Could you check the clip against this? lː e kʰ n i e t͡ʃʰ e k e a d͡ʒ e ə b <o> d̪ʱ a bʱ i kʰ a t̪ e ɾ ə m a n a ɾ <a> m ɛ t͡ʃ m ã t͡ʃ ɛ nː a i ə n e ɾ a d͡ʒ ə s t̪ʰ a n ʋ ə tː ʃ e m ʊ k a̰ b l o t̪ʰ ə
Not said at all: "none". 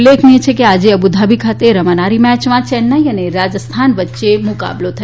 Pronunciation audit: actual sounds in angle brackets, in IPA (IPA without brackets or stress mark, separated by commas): u, i